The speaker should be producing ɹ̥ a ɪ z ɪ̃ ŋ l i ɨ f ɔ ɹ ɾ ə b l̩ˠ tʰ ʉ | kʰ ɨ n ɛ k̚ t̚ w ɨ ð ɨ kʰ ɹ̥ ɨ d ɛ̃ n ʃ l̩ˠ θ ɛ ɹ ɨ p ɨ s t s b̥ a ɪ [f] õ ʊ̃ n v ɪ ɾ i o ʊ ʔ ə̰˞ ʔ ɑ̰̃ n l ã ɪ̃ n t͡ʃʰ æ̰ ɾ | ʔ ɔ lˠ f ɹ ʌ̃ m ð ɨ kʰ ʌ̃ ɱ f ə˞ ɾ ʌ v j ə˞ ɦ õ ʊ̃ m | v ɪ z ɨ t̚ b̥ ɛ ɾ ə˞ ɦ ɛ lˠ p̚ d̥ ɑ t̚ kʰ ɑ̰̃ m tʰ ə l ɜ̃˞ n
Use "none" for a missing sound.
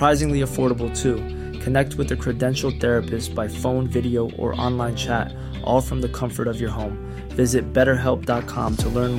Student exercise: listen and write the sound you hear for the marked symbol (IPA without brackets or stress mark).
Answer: f